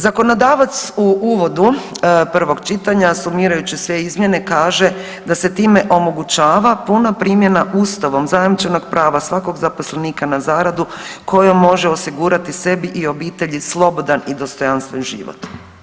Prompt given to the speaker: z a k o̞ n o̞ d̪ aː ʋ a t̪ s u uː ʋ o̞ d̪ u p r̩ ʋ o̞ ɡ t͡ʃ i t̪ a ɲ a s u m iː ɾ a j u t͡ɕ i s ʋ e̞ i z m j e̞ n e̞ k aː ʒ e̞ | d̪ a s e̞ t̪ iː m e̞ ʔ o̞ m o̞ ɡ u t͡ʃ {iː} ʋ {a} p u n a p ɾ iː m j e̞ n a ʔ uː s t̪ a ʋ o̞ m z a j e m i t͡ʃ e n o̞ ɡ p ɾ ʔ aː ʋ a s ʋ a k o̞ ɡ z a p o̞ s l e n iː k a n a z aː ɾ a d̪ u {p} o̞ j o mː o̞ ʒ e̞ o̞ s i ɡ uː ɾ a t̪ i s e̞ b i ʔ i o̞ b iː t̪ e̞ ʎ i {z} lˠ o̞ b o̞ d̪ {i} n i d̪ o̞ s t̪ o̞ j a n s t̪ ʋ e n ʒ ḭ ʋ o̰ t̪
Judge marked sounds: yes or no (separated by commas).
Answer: no, yes, no, no, no